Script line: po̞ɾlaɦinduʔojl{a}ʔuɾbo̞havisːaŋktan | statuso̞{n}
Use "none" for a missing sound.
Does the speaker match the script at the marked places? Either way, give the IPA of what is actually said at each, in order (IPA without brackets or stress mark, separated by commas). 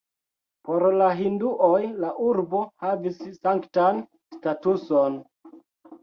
a, n